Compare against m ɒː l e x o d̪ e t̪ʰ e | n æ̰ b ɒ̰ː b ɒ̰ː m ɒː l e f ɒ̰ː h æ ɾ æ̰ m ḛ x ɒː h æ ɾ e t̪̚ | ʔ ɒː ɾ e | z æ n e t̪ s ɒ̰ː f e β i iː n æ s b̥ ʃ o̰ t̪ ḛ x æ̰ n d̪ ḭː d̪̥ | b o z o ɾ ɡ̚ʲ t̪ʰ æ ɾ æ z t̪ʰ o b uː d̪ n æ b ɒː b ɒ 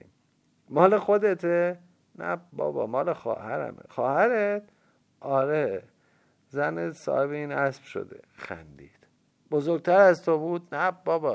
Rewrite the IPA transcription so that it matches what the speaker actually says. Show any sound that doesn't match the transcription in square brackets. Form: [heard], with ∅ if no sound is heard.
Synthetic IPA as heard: m ɒː l e x o d̪ e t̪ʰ e | n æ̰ b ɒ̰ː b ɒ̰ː m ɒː l e [x] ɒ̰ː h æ ɾ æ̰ m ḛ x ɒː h æ ɾ e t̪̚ | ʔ ɒː ɾ e | z æ n e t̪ s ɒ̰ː [h] e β [e] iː n æ s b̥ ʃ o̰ [d̪] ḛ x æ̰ n d̪ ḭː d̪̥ | b o z o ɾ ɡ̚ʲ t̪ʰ æ ɾ æ z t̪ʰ o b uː d̪ n æ b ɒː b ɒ